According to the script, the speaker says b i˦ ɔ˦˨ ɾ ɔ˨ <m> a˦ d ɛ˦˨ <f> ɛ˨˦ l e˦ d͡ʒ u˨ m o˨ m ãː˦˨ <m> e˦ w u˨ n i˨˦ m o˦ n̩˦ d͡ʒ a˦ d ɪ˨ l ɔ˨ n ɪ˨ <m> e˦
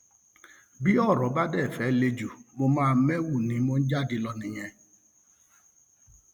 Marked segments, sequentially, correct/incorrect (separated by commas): incorrect, correct, correct, incorrect